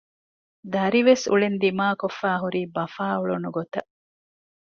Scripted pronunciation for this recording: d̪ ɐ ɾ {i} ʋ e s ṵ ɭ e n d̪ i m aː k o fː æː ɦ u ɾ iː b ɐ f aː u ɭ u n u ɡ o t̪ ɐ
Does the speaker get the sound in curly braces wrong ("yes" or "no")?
no